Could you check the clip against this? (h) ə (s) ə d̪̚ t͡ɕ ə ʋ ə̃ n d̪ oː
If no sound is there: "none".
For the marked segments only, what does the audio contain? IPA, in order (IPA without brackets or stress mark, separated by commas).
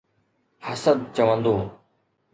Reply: h, s